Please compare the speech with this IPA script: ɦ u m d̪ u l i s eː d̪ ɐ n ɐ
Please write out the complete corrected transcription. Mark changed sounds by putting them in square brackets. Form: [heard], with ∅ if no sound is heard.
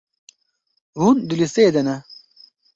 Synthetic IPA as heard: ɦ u [n] d̪ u l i s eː d̪ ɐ n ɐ

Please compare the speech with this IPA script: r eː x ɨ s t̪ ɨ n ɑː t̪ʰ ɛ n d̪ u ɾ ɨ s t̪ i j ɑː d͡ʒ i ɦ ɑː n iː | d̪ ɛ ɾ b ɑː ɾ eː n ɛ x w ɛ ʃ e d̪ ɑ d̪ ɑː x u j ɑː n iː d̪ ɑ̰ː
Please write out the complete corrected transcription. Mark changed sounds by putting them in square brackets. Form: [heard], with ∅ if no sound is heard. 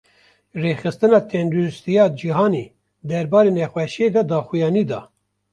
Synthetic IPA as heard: r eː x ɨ s t̪ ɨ n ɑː t̪ʰ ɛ n d̪ u ɾ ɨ s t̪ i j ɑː d͡ʒ i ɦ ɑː n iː | d̪ ɛ ɾ b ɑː ɾ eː n ɛ x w ɛ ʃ e d̪ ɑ d̪ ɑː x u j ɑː n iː d̪ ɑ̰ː

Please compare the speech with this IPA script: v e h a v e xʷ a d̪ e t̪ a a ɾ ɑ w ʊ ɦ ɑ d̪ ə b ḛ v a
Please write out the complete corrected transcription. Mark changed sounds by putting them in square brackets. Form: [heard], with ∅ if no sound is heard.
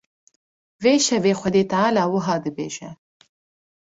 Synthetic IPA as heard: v e [ʃ] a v e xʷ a d̪ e t̪ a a [l] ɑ w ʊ ɦ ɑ d̪ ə b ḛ [ʒ] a

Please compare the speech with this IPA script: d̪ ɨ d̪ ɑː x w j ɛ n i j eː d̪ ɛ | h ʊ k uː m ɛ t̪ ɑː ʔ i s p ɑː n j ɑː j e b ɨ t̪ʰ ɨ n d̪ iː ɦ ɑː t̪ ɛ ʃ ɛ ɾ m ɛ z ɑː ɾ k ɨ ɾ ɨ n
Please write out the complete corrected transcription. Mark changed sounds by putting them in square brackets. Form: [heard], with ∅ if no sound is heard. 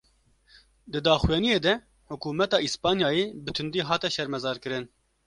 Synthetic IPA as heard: d̪ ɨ d̪ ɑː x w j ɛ n i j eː d̪ ɛ | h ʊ k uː m ɛ t̪ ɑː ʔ i s p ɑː n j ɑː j e b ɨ t̪ʰ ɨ n d̪ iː ɦ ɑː t̪ ɛ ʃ ɛ ɾ m ɛ z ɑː ɾ k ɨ ɾ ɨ n

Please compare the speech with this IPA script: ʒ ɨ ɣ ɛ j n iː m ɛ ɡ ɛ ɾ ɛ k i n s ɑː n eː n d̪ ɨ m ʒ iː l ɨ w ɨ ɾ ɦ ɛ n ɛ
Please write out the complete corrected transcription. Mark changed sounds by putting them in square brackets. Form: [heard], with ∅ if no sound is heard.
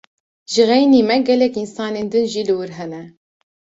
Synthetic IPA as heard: ʒ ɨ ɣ ɛ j n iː m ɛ ɡ ɛ [l] ɛ k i n s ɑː n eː n d̪ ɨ [n] ʒ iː l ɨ w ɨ ɾ ɦ ɛ n ɛ

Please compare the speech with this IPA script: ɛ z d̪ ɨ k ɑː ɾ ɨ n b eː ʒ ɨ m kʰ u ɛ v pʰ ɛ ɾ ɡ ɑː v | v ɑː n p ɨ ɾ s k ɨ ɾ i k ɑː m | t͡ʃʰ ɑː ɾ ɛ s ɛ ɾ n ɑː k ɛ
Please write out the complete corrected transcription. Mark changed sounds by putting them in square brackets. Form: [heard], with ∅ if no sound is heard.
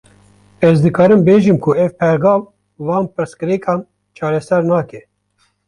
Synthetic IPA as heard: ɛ z d̪ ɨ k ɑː ɾ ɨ [m] b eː ʒ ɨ m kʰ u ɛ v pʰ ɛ ɾ ɡ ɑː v | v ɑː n p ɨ ɾ s k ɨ ɾ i k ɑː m | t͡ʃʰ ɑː ɾ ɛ s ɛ ɾ n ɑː k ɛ

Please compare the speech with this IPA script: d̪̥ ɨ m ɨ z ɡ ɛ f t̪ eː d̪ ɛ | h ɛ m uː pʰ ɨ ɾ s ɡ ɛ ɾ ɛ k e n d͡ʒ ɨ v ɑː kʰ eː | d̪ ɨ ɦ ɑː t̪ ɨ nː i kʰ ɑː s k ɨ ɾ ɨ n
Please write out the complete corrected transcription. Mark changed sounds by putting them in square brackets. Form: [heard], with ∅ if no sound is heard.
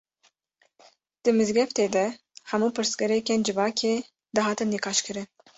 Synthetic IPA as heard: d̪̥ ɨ m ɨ z ɡ ɛ f t̪ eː d̪ ɛ | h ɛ m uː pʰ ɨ ɾ s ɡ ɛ ɾ ɛ k e n d͡ʒ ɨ v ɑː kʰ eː | d̪ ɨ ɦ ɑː t̪ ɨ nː i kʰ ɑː [ʃ] k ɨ ɾ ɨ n

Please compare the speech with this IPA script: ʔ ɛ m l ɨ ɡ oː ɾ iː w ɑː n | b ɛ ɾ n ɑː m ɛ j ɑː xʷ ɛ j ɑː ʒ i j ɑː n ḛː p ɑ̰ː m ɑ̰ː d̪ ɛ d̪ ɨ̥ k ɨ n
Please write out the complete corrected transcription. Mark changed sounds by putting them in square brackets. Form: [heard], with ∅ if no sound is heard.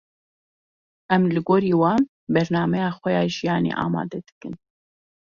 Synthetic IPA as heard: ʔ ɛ m l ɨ ɡ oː ɾ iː w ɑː n | b ɛ ɾ n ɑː m ɛ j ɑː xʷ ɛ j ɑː ʒ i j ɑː n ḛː [ʔ] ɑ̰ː m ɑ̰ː d̪ ɛ d̪ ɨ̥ k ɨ n

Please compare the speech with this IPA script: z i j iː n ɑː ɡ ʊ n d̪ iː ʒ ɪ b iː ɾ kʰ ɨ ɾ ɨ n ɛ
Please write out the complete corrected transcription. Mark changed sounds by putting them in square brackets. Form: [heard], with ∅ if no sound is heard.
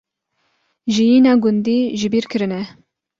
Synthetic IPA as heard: [ʒ] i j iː n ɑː ɡ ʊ n d̪ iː ʒ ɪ b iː ɾ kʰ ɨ ɾ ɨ n ɛ

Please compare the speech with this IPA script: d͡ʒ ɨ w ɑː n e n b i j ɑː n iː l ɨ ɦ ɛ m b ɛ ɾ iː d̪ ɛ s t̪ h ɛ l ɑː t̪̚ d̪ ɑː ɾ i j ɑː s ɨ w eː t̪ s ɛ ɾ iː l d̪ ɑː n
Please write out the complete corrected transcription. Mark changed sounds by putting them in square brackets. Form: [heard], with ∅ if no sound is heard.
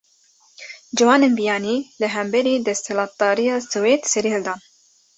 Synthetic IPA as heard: d͡ʒ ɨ w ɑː n e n b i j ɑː n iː l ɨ ɦ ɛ m b ɛ ɾ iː d̪ ɛ s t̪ h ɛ l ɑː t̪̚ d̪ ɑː ɾ i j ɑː s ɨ w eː t̪ s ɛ ɾ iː l d̪ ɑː n

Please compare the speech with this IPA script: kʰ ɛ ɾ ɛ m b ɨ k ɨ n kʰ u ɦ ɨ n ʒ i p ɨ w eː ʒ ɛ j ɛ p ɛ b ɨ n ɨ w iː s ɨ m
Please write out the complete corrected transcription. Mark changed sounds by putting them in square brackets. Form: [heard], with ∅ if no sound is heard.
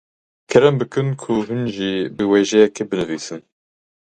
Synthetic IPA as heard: kʰ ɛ ɾ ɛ m b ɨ k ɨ n kʰ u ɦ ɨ n ʒ i [b] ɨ w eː ʒ ɛ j ɛ [k] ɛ b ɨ n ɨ [v] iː s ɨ [n]

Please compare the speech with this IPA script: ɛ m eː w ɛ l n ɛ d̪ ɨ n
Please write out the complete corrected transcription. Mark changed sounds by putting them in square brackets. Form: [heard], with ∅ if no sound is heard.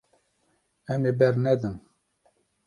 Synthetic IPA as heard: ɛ m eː [b] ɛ [ɾ] n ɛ d̪ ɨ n

